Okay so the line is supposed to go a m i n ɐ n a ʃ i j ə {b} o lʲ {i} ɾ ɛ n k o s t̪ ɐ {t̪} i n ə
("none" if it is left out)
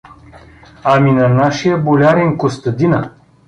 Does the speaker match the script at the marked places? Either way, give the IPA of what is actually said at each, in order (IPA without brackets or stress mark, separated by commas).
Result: b, a, d̪